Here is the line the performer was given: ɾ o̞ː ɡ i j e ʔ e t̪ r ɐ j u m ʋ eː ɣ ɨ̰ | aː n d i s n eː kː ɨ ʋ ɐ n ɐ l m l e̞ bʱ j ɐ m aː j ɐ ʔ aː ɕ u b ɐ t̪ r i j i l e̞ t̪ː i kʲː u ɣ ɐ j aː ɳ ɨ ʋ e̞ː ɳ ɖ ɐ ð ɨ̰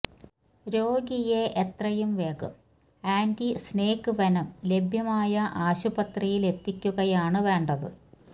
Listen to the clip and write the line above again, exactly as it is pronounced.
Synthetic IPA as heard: ɾ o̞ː ɡ i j e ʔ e t̪ r ɐ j u m ʋ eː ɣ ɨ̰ | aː n d i s n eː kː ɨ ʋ ɐ n ɐ m l e̞ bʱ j ɐ m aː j ɐ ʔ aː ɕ u b ɐ t̪ r i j i l e̞ t̪ː i kʲː u ɣ ɐ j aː ɳ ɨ ʋ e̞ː ɳ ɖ ɐ ð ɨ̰